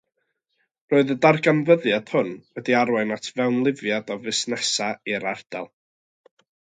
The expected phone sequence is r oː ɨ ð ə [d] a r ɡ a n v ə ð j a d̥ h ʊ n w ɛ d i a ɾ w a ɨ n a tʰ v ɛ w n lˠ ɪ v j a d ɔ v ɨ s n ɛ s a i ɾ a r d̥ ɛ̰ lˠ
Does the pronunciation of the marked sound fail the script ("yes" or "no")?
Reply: no